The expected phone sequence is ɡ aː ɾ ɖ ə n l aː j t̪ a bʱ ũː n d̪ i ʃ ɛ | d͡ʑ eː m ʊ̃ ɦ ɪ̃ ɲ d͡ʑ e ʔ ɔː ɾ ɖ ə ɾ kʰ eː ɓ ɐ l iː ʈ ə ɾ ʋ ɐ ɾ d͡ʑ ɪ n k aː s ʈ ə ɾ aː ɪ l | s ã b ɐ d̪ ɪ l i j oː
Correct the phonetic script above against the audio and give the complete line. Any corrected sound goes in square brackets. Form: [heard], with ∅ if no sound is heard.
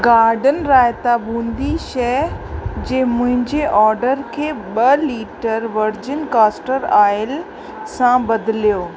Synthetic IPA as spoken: ɡ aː ɾ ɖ ə n [ɾ] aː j t̪ a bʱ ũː n d̪ i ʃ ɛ | d͡ʑ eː m ʊ̃ ɦ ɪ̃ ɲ d͡ʑ e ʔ ɔː ɾ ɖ ə ɾ kʰ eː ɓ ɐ l iː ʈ ə ɾ ʋ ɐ ɾ d͡ʑ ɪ n k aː s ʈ ə ɾ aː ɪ l | s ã b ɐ d̪ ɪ l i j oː